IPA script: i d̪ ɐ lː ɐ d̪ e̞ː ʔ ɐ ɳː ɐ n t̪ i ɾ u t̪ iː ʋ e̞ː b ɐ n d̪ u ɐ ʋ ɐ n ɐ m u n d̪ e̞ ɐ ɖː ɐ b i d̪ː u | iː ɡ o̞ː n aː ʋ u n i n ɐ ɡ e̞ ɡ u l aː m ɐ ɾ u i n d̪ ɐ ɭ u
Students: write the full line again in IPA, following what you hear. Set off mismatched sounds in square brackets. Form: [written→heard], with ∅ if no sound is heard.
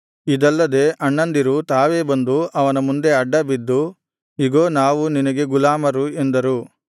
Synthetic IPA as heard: i d̪ ɐ lː ɐ d̪ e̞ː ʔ ɐ ɳː ɐ n [t̪→d̪] i ɾ u t̪ [iː→aː] ʋ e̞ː b ɐ n d̪ u ɐ ʋ ɐ n ɐ m u n d̪ e̞ ɐ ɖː ɐ b i d̪ː u | [iː→i] ɡ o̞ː n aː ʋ u n i n ɐ ɡ e̞ ɡ u l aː m ɐ ɾ u [i→e] n d̪ ɐ [ɭ→ɾ] u